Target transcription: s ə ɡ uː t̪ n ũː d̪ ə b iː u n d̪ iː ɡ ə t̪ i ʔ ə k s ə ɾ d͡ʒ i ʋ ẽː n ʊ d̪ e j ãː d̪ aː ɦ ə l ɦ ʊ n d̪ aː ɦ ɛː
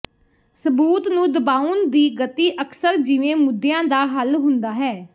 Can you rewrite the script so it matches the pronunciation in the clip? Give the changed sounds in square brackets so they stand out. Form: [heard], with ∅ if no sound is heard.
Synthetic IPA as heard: s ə [b] uː t̪ n ũː d̪ ə b [aː] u n d̪ iː ɡ ə t̪ [iː] ʔ ə k s ə ɾ d͡ʒ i ʋ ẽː [m] ʊ d̪ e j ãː d̪ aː ɦ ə l ɦ ʊ n d̪ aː ɦ ɛː